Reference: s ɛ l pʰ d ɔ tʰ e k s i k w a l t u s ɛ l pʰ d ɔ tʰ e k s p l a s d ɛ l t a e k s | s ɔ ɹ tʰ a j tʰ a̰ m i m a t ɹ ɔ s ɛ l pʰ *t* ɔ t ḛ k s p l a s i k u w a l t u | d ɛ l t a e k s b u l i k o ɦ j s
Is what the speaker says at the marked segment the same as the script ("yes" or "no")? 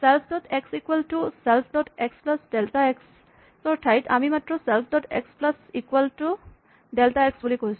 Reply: no